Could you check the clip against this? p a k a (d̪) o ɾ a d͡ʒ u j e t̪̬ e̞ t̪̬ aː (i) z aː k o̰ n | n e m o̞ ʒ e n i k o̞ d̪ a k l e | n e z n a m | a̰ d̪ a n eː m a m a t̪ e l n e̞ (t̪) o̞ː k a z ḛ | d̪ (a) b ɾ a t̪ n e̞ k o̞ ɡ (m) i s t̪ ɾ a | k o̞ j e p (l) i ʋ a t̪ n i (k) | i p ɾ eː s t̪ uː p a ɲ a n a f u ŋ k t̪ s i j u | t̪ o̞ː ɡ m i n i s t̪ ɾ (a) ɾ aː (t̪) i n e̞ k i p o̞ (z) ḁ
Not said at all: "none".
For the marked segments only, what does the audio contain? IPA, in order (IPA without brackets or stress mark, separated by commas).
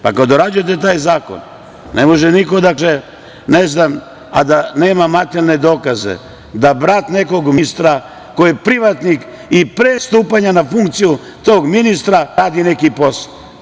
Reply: d̪, j, d̪, a, m, ɾ, k, a, d̪, s